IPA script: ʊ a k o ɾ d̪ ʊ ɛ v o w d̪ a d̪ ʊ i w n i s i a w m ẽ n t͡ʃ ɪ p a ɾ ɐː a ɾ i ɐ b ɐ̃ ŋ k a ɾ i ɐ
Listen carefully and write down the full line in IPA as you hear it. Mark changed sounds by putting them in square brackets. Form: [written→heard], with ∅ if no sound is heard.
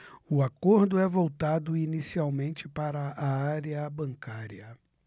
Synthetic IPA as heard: ʊ a k o ɾ d̪ ʊ ɛ v o w [d̪→t̪] a d̪ ʊ i [w→∅] n i s i a w m ẽ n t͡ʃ ɪ p a ɾ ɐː a ɾ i ɐ b ɐ̃ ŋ k a ɾ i ɐ